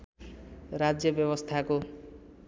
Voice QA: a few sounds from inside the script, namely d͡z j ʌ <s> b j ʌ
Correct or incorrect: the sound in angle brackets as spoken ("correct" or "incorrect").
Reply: incorrect